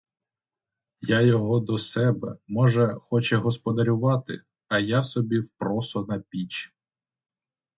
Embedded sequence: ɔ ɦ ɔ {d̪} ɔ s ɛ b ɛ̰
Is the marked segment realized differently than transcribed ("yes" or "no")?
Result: no